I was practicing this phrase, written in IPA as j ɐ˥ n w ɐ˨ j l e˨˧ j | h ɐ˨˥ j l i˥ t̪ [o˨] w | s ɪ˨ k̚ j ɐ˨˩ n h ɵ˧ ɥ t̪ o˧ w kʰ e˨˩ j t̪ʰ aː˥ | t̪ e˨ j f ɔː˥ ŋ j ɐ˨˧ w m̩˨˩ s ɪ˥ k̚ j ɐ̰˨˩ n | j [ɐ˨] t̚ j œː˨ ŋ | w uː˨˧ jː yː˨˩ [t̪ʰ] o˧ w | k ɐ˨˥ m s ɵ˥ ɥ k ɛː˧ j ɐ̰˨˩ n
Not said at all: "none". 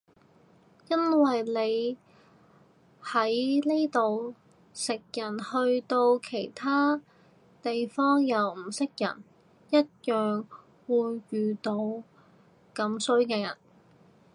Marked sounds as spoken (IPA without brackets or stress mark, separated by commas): o˨, ɐ˥, t̪